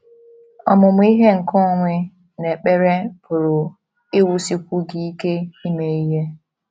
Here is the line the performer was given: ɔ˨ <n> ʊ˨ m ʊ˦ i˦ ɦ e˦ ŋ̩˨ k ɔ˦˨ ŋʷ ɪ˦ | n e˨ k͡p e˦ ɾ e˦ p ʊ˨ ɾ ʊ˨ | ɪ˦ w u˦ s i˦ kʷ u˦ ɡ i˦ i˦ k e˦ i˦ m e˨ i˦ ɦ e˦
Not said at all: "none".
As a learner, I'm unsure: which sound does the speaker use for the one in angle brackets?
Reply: m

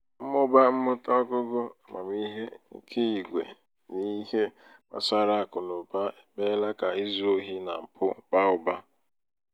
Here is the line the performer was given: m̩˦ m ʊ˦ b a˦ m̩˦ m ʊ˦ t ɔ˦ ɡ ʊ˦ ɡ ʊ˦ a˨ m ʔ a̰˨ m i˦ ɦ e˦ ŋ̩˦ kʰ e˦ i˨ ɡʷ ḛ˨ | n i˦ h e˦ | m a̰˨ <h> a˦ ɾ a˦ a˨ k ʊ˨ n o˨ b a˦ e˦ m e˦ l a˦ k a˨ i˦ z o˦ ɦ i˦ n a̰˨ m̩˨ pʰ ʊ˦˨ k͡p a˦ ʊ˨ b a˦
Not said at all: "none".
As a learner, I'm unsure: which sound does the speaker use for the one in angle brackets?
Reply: s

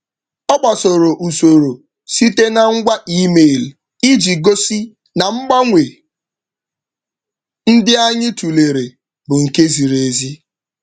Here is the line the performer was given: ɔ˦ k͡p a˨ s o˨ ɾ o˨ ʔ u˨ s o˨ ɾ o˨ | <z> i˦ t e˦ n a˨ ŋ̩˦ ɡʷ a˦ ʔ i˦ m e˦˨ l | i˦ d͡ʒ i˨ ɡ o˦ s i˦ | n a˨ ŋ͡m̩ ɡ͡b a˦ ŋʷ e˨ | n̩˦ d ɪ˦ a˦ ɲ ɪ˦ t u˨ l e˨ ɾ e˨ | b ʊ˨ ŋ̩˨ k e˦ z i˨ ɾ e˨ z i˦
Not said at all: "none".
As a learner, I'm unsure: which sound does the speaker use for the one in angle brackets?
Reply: s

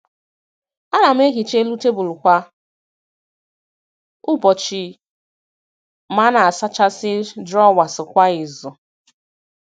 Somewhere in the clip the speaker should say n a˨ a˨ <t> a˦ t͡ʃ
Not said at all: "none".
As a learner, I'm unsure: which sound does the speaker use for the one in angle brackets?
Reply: s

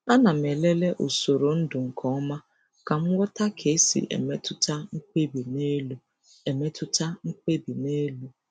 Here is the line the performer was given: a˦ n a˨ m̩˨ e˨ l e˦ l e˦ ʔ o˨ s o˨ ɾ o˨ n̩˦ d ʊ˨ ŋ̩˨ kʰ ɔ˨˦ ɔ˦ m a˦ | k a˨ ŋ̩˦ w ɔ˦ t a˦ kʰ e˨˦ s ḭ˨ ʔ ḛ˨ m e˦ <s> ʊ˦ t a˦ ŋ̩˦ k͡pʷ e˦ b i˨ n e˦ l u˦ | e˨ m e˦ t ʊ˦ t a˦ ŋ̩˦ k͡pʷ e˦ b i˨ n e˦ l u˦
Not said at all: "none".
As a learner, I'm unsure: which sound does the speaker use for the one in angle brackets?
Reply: t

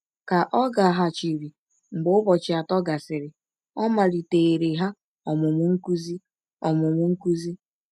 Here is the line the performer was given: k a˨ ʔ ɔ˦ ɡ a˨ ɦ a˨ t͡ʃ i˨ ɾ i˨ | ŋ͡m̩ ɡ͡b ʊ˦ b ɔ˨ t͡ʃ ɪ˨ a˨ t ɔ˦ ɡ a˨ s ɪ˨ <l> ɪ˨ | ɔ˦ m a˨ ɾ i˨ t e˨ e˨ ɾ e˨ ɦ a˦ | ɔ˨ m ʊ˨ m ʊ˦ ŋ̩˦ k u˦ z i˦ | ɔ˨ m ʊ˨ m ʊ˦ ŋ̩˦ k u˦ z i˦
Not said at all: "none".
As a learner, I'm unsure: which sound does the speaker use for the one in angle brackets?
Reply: ɾ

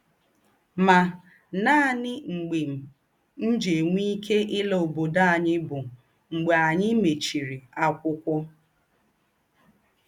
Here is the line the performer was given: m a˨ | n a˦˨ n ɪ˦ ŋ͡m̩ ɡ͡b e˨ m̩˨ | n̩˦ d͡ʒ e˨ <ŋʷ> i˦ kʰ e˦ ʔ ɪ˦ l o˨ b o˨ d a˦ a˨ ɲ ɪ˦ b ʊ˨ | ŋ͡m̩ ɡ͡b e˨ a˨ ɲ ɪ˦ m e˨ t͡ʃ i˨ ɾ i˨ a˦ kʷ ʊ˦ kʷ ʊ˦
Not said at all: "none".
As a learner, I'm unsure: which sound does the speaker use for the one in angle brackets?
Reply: ŋʷ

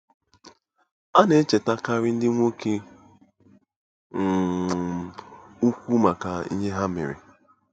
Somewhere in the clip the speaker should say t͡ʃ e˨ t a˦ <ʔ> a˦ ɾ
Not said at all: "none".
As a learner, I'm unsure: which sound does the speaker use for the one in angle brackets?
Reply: k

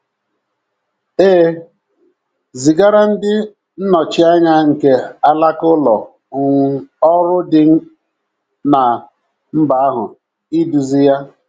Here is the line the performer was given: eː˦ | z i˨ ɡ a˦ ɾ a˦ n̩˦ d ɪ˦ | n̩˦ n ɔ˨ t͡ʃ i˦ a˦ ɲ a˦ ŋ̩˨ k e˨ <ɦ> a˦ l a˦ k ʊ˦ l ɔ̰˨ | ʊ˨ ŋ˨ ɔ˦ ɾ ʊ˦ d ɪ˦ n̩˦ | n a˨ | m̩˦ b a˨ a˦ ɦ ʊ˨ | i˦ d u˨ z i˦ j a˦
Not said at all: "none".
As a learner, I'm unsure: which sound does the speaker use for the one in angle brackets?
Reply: none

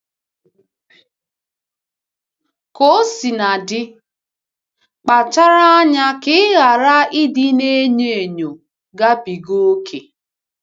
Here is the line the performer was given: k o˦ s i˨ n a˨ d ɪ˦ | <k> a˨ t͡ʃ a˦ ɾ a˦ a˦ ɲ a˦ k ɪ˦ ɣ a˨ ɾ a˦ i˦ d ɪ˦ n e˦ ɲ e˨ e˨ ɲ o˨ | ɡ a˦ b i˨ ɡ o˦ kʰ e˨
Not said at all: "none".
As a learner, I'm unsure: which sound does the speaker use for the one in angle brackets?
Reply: k͡p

